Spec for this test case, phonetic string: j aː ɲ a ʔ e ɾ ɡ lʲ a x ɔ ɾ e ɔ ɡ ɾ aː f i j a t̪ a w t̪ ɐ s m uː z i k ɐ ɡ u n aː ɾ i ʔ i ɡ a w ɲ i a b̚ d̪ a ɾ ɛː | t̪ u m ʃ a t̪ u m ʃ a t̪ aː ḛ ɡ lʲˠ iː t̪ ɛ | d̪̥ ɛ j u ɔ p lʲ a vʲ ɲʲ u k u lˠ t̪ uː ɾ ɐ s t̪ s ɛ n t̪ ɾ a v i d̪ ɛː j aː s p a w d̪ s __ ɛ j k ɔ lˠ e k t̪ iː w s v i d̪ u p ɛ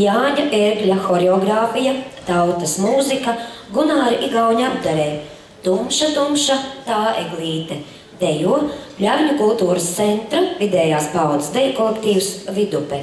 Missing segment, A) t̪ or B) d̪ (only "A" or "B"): B